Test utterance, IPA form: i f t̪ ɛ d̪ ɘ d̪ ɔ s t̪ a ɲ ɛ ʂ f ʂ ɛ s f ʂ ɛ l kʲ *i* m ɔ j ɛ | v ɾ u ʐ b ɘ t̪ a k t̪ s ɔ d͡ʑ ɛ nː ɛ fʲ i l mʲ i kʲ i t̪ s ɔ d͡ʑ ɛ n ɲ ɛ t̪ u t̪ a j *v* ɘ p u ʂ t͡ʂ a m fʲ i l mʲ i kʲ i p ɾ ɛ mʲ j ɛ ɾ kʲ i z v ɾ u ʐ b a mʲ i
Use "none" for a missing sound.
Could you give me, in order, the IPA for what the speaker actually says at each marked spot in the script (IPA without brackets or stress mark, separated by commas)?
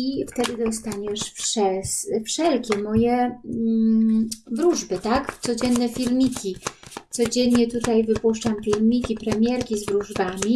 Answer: ɛ, v